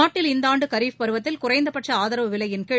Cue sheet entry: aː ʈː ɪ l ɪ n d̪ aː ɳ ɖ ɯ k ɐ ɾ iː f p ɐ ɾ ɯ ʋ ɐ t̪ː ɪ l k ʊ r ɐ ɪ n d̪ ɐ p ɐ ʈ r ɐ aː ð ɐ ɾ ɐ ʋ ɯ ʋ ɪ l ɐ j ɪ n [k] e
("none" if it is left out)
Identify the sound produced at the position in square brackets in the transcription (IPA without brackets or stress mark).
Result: k